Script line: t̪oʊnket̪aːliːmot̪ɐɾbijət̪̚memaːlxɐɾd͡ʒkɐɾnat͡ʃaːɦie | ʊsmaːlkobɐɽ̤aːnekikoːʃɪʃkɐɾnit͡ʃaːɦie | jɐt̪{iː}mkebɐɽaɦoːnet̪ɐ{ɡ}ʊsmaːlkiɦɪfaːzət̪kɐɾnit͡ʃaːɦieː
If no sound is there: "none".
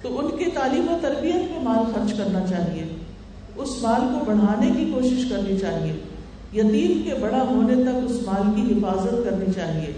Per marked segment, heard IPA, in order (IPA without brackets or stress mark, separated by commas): iː, k